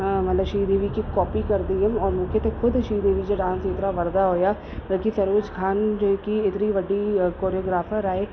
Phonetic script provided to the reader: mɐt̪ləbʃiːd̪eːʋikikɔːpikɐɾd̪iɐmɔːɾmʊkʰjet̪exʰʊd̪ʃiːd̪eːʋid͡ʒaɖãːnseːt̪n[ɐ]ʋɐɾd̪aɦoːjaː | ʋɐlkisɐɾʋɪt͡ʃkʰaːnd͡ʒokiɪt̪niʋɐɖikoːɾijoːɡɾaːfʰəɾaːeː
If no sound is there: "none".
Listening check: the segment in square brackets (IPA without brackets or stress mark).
a